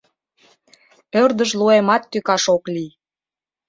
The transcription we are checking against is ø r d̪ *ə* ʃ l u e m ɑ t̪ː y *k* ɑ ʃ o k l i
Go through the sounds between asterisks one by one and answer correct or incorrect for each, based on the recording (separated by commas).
correct, correct